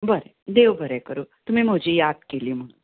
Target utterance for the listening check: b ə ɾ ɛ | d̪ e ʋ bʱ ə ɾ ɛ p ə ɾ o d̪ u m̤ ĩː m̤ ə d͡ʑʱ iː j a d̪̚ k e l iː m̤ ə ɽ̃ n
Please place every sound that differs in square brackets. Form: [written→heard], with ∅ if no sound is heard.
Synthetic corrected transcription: b ə ɾ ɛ | d̪ e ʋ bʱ ə ɾ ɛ [p→k] ə ɾ o [d̪→t̪] u m̤ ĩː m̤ ə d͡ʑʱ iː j a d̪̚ k e l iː m̤ ə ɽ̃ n